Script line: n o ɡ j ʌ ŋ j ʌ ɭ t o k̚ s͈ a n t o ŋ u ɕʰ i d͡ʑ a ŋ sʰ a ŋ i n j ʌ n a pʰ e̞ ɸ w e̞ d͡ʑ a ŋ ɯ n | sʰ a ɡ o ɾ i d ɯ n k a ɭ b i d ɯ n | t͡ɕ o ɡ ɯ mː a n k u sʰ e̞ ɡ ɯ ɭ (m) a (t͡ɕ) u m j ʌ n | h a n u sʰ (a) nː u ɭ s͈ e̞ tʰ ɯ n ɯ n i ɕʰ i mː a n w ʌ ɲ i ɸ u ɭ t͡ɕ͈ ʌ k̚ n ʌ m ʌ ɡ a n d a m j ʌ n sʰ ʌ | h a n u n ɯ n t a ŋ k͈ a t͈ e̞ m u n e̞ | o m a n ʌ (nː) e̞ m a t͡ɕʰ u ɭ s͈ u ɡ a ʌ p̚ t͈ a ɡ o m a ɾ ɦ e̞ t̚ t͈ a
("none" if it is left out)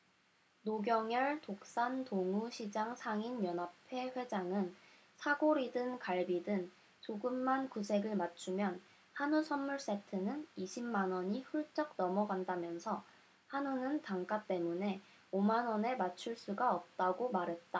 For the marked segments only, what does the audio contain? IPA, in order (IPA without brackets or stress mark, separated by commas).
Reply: m, t͡ɕʰ, ʌ, n